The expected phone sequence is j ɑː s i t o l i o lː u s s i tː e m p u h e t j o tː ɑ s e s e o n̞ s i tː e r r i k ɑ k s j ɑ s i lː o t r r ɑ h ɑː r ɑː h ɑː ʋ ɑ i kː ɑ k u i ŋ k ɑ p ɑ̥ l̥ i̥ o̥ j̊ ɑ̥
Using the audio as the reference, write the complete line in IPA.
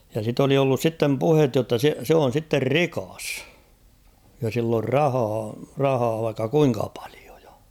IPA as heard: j ɑ s i t o l i o lː u s s i tː e m p u h e t j o tː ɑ s e s e o n̞ s i tː e r r i k ɑ s j ɑ s i lː o r r ɑ h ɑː r ɑ h ɑː ʋ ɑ i kː ɑ k u i ŋ k ɑ p ɑ̥ l̥ i̥ o̥ j̊ ɑ̥